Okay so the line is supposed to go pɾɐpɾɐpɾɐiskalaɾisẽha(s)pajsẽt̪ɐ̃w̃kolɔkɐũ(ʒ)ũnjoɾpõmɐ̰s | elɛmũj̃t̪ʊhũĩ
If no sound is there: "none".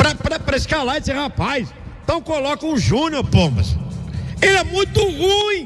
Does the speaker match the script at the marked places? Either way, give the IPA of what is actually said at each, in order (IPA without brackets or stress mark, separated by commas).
none, ʒ